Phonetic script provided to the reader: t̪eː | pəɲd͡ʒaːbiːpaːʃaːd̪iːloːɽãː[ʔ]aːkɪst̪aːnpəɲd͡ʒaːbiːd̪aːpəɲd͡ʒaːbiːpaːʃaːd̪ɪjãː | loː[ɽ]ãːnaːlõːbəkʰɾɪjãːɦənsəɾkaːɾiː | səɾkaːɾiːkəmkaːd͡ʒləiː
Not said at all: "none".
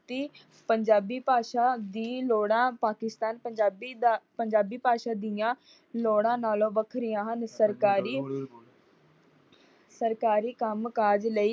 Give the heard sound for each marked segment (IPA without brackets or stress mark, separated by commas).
p, ɽ